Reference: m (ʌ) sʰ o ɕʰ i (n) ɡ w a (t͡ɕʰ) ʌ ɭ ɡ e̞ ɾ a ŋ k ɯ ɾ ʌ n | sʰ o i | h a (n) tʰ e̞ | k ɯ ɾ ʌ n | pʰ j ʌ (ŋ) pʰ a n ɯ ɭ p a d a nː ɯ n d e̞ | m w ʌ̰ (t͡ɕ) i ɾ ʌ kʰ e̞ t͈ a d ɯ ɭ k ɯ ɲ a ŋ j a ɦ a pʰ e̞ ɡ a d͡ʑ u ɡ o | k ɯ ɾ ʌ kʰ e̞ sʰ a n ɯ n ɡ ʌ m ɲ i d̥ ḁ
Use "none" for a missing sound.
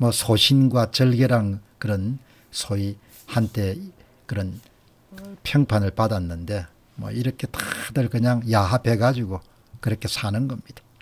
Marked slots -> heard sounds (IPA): ʌ, n, t͡ɕ, n, ŋ, none

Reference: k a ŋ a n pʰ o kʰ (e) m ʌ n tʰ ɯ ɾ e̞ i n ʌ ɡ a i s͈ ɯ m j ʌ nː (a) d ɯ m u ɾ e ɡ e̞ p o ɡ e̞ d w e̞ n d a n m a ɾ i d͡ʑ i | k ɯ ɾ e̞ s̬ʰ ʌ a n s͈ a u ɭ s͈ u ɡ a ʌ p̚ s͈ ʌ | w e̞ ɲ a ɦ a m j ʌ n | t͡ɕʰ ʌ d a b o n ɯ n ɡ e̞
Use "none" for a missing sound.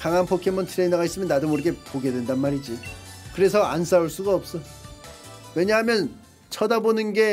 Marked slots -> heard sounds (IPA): e, a

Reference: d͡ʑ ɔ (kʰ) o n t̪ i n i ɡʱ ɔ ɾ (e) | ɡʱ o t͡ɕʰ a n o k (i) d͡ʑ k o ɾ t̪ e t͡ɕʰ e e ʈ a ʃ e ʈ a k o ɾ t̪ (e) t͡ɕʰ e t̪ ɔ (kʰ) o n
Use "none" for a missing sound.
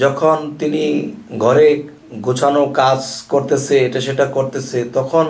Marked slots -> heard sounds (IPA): kʰ, e, a, e, kʰ

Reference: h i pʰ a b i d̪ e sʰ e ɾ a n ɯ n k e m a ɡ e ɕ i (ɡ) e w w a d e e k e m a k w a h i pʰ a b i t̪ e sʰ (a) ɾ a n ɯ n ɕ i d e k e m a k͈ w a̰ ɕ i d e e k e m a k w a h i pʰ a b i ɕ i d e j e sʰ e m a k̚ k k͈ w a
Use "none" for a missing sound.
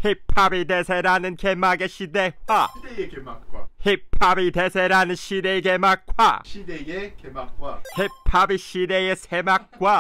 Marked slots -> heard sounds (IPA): d, e

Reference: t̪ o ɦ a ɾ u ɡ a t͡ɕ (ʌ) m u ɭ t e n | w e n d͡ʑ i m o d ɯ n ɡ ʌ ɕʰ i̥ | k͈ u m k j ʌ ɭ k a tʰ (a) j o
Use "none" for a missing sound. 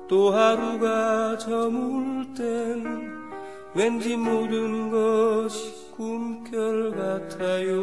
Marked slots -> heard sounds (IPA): ʌ, a

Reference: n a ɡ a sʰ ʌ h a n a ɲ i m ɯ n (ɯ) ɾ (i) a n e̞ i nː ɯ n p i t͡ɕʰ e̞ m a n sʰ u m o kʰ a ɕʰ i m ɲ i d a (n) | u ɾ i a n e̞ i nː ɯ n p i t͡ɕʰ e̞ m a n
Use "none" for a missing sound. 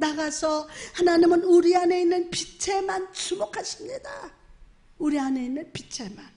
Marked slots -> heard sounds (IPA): u, i, none

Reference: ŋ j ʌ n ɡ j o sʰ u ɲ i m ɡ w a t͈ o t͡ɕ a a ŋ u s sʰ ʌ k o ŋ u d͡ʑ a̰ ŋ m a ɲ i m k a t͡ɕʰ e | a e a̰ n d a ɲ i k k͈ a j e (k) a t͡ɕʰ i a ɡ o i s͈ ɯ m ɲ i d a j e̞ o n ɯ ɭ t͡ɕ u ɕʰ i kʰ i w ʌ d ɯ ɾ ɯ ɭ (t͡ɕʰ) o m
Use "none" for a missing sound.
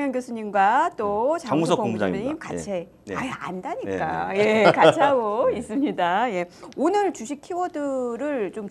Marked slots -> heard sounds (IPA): k, t͡ɕ

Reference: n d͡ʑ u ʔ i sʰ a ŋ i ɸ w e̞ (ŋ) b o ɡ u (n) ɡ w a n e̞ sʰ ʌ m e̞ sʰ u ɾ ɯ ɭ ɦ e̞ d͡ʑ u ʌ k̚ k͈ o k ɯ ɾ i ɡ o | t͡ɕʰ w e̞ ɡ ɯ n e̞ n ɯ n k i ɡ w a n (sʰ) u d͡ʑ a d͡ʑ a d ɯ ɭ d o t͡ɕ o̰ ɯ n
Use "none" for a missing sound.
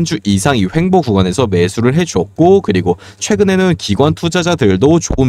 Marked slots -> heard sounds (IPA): ŋ, none, tʰ

